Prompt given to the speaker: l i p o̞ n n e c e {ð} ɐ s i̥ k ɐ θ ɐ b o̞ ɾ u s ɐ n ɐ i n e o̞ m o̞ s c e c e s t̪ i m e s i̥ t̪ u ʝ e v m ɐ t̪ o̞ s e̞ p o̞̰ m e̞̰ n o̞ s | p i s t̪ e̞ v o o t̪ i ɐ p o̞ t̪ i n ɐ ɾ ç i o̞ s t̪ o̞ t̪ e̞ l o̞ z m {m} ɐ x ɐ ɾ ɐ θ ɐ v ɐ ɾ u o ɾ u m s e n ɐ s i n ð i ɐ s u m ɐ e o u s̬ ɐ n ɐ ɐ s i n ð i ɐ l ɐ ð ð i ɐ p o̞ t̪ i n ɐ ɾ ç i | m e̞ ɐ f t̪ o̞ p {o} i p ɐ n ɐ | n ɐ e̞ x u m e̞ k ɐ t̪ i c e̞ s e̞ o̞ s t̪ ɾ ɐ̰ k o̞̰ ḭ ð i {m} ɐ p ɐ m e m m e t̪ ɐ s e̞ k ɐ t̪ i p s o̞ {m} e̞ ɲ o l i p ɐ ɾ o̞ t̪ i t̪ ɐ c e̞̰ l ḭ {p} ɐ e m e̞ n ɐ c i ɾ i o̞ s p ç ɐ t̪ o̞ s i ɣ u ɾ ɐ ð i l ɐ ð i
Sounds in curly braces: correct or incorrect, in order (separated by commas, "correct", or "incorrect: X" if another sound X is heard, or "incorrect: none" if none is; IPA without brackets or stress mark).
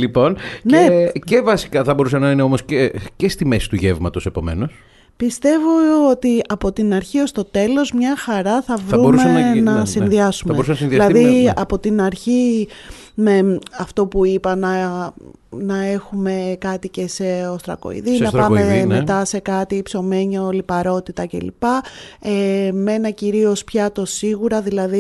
incorrect: v, incorrect: ɲ, incorrect: u, incorrect: n, correct, correct